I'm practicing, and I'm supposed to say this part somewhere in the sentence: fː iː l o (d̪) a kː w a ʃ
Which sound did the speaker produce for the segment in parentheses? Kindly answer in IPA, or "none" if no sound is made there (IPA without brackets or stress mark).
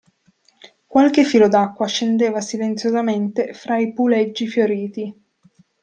d̪